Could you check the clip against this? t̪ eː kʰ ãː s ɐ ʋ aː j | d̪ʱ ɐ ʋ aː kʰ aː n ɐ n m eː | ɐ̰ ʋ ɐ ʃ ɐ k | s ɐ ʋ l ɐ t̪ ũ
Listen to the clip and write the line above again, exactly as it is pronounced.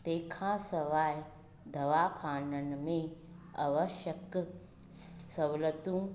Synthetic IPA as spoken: t̪ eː kʰ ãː s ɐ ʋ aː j | d̪ʱ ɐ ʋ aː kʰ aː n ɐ n m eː | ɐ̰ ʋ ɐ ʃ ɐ k | s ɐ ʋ l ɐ t̪ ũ

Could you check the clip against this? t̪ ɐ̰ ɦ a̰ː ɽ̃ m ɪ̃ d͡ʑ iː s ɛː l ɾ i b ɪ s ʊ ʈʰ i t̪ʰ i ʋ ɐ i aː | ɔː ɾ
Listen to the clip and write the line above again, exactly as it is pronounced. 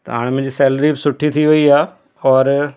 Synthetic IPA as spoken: t̪ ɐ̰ ɦ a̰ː ɽ̃ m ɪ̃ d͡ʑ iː s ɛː l ɾ i b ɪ s ʊ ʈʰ i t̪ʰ i ʋ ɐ i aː | ɔː ɾ

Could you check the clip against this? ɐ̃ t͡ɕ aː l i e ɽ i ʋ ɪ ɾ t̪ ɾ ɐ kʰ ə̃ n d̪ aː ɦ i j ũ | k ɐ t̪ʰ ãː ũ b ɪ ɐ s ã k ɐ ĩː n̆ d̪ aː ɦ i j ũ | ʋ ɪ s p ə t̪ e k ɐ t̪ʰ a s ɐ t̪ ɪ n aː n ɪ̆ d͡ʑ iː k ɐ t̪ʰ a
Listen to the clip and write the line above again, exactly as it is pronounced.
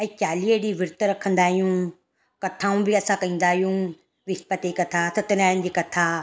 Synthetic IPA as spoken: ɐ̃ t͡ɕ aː l i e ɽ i ʋ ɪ ɾ t̪ ɾ ɐ kʰ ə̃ n d̪ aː ɦ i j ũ | k ɐ t̪ʰ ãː ũ b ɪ ɐ s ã k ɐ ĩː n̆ d̪ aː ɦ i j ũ | ʋ ɪ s p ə t̪ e k ɐ t̪ʰ a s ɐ t̪ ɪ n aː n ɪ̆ d͡ʑ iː k ɐ t̪ʰ a

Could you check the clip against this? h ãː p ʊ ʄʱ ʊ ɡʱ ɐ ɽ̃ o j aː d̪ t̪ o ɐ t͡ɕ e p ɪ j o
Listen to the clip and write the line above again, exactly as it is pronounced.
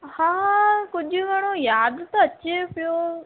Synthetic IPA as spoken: h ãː k ʊ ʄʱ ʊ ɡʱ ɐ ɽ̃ o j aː d̪ t̪ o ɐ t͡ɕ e p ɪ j o

